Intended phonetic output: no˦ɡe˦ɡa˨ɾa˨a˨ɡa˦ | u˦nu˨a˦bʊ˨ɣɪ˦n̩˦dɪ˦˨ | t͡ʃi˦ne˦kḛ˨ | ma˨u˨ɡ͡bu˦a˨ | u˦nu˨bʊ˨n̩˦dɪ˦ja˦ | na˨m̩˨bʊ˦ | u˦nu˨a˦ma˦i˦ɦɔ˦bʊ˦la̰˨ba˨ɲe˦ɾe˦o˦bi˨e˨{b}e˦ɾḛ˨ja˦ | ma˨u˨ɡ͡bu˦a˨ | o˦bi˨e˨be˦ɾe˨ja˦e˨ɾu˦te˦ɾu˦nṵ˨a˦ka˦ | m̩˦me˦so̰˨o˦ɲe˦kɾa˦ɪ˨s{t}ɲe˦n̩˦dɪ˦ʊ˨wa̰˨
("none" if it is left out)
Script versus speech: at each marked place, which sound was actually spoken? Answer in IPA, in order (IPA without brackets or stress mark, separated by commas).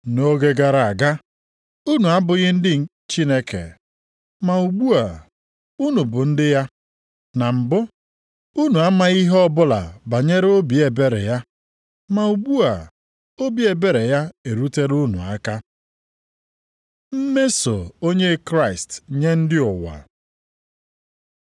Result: b, t